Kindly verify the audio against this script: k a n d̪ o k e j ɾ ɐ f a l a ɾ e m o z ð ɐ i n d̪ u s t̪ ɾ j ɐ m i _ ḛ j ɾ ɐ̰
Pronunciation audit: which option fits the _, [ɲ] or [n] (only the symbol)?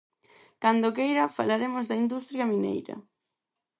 n